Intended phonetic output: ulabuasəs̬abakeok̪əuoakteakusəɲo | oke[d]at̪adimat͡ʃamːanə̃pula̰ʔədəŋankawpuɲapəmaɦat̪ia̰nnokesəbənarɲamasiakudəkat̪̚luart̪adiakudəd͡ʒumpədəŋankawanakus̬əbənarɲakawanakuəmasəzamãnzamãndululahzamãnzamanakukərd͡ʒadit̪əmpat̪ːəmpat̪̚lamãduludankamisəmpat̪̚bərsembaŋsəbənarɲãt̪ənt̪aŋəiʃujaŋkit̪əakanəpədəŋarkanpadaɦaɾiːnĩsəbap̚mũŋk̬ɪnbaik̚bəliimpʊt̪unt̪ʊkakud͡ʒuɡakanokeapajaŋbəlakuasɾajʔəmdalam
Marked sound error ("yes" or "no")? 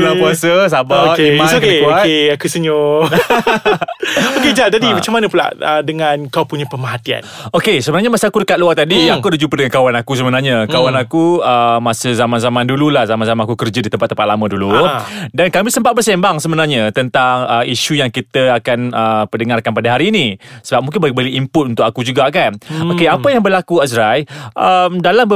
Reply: yes